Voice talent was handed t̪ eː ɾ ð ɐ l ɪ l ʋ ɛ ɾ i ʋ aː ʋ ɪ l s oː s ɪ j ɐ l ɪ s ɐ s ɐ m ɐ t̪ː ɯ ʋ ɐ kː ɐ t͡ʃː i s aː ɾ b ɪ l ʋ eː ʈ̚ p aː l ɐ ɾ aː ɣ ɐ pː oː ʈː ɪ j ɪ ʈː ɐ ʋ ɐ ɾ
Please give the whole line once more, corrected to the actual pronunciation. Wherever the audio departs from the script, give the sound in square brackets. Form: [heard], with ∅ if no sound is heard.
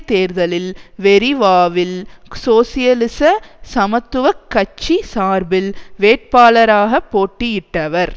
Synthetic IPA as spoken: t̪ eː ɾ ð ɐ l ɪ l ʋ ɛ ɾ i ʋ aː ʋ ɪ l s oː s ɪ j ɐ l ɪ s ɐ s ɐ m ɐ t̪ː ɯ ʋ ɐ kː ɐ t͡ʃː i s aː ɾ b ɪ l ʋ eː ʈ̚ p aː l ɐ ɾ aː ɣ ɐ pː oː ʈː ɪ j ɪ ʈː ɐ ʋ ɐ ɾ